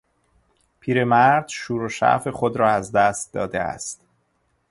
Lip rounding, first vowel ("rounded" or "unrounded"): unrounded